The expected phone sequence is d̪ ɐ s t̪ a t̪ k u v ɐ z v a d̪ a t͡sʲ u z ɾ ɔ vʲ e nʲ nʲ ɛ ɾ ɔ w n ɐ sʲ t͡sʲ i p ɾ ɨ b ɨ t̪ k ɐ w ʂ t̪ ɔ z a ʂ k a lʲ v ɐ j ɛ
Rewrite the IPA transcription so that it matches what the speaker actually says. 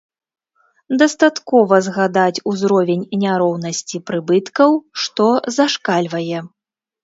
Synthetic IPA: d̪ ɐ s t̪ a t̪ k ɔ v ɐ z ɣ a d̪ a t͡sʲ u z ɾ ɔ vʲ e nʲ nʲ a ɾ ɔ w n ɐ sʲ t͡sʲ i p ɾ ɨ b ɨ t̪ k ɐ w ʂ t̪ ɔ z a ʂ k a lʲ v ɐ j ɛ